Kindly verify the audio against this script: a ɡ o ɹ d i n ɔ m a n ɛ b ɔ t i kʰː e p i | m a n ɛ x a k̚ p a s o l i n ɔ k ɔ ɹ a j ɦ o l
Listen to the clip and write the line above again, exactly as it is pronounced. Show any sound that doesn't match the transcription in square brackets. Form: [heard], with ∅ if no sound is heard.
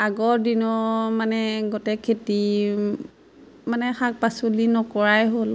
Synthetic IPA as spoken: a ɡ [ɔ] ɹ d i n ɔ m a n ɛ [ɡ] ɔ t [ɛ] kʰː e [t] i | m a n ɛ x a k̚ p a s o l i n ɔ k ɔ ɹ a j ɦ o l